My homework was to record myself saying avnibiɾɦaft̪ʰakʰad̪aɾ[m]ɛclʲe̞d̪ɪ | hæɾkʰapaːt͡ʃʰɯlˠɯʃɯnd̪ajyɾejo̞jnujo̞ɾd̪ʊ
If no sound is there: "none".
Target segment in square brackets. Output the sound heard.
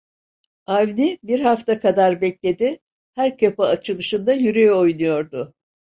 b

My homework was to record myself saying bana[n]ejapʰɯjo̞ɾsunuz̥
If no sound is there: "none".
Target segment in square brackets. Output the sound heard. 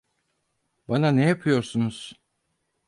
n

